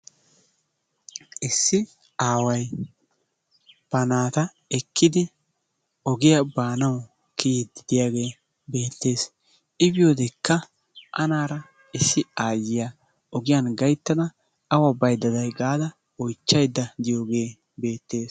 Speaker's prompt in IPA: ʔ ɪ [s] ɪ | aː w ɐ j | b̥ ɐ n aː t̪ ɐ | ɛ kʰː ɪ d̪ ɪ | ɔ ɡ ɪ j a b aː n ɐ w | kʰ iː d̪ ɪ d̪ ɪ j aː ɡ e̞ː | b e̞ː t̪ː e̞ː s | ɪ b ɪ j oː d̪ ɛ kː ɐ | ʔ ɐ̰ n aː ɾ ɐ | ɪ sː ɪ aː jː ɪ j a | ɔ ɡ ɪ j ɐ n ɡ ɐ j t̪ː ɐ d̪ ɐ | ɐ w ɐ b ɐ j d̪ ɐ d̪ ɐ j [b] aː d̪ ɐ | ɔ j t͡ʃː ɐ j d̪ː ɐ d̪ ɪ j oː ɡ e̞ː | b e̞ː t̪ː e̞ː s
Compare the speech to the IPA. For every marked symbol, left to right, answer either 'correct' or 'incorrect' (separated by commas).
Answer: incorrect, incorrect